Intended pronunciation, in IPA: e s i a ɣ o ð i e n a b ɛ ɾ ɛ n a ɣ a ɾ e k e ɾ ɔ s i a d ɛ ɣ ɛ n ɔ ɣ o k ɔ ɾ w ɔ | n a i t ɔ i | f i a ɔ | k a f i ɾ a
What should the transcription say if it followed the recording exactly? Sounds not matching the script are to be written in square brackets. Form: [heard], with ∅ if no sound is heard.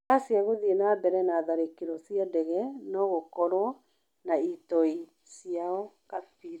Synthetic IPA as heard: [a] s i a ɣ o ð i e n a b ɛ ɾ ɛ n a [ð] a ɾ e k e ɾ ɔ s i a d ɛ ɣ ɛ n ɔ ɣ o k ɔ ɾ w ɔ | n a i t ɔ i | [s] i a ɔ | k a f i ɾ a